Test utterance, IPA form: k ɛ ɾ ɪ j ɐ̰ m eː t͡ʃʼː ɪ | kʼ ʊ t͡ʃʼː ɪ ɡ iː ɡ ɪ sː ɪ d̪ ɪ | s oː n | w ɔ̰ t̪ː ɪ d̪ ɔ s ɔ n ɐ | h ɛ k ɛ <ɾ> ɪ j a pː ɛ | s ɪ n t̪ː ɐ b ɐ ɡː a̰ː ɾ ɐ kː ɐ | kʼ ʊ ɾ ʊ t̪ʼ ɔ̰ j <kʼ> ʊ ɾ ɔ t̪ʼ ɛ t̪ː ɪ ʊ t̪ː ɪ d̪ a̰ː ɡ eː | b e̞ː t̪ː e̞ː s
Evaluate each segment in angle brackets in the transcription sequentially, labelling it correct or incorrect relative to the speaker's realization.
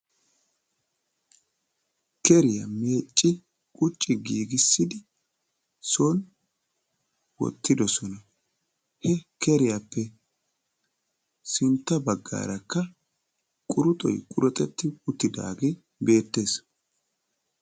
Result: correct, correct

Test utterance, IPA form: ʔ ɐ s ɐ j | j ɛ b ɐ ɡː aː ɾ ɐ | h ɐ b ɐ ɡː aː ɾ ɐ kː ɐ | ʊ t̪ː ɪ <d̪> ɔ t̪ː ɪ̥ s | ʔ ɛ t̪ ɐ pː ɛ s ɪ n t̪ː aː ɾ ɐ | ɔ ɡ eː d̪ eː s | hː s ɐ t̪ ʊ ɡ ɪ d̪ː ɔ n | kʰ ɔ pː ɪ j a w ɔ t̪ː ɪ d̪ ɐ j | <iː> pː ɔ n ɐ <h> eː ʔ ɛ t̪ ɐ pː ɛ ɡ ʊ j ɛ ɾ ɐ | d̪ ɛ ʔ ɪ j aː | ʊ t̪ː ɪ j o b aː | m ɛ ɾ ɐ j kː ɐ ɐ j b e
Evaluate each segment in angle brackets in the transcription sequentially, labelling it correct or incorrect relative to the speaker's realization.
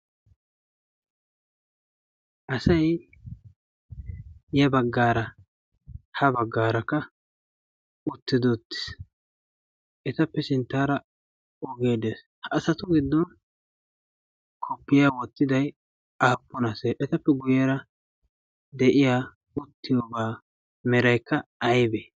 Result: correct, incorrect: aː, incorrect: s

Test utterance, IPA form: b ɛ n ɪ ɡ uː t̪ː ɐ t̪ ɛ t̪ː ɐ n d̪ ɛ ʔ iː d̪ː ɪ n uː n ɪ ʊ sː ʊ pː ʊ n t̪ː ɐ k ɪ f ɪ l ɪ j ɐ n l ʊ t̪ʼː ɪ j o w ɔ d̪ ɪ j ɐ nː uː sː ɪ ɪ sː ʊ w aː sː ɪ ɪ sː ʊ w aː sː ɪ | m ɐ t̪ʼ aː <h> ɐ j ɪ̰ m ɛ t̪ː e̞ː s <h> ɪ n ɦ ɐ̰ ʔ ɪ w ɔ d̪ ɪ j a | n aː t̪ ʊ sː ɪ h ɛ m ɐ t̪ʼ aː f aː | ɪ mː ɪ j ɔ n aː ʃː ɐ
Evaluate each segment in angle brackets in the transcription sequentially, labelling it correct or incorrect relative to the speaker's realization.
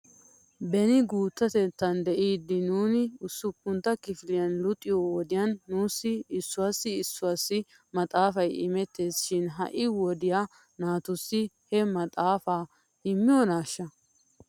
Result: incorrect: f, incorrect: ʃ

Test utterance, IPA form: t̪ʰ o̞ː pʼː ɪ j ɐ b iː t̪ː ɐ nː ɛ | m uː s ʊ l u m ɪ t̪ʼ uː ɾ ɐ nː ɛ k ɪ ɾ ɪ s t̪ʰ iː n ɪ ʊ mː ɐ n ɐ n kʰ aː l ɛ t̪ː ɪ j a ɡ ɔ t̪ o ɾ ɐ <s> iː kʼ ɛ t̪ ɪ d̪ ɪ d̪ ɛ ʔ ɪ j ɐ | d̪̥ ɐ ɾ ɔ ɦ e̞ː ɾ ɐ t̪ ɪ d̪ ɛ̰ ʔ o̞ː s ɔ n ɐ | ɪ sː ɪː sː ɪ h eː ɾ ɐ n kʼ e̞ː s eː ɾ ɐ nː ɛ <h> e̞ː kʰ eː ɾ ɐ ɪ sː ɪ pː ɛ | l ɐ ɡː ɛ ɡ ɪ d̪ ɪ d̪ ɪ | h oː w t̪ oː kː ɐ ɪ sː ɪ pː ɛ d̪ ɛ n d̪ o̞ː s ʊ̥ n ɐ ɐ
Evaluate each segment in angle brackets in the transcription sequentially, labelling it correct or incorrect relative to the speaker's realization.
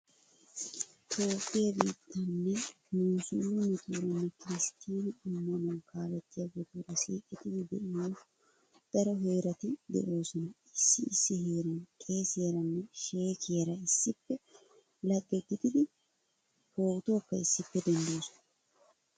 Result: correct, incorrect: ʃ

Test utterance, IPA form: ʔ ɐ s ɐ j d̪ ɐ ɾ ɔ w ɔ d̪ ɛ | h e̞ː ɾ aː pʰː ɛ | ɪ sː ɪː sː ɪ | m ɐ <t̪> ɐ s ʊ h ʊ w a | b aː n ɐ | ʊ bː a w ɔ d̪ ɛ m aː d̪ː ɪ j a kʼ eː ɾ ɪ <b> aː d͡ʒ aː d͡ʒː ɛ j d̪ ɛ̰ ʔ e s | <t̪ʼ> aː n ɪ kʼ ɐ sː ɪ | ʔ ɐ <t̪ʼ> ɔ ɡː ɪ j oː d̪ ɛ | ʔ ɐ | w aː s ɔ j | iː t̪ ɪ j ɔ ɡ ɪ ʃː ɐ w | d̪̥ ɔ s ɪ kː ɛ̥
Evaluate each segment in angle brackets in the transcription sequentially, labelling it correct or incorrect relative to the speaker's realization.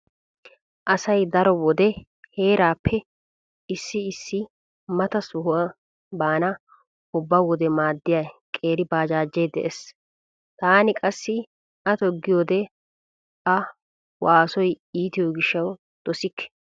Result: correct, correct, incorrect: t̪, incorrect: t̪

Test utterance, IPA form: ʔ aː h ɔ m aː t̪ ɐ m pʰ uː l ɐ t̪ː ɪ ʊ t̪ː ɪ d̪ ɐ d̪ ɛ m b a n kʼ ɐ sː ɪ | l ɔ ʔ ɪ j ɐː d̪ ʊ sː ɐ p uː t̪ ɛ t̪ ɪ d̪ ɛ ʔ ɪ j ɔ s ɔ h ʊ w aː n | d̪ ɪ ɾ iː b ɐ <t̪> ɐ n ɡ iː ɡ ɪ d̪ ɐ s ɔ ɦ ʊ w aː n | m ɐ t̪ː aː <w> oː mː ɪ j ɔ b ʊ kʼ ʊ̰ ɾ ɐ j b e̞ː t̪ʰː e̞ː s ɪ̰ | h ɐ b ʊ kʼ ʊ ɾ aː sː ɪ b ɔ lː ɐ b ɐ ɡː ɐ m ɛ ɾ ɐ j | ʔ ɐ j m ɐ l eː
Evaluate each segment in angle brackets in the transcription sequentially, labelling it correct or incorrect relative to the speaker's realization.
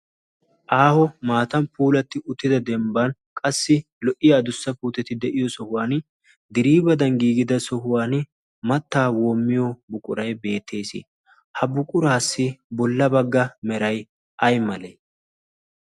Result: incorrect: d̪, correct

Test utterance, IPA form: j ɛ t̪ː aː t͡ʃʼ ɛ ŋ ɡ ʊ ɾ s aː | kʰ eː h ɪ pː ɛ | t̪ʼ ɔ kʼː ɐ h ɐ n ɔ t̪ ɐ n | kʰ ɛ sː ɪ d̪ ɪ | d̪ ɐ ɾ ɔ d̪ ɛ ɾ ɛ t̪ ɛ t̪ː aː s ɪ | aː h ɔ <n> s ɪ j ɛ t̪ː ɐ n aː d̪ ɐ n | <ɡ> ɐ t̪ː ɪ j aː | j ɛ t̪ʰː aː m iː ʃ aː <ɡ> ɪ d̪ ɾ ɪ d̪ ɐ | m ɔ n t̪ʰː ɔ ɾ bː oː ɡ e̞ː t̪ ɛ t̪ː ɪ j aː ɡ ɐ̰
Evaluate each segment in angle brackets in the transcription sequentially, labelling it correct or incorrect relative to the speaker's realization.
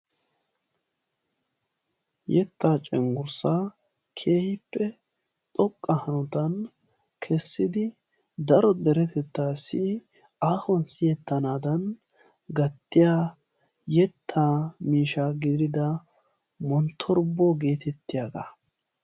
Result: correct, correct, correct

